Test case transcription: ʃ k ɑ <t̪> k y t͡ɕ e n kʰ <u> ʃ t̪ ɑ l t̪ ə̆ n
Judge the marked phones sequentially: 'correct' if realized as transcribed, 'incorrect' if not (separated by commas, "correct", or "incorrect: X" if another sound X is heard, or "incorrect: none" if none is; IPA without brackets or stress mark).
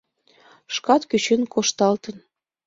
correct, incorrect: o